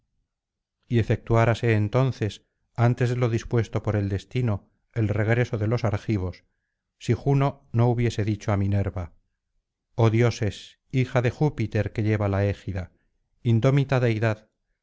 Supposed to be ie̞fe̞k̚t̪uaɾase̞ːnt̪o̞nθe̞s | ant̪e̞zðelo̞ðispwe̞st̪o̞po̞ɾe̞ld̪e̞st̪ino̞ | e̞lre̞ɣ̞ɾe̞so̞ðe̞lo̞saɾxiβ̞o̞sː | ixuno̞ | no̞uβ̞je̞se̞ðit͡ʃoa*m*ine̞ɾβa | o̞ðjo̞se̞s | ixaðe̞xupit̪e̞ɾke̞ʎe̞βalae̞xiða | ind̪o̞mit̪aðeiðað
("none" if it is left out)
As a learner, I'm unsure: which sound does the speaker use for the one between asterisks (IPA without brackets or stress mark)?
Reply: m